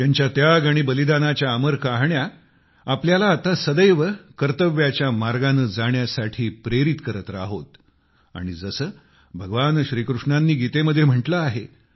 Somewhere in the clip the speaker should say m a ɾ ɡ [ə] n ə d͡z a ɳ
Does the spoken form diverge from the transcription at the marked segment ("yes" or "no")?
yes